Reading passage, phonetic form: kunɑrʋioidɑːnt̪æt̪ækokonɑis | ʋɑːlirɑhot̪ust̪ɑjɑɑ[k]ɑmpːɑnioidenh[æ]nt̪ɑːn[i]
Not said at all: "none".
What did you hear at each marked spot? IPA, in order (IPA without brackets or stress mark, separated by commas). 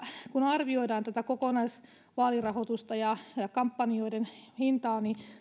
k, i, i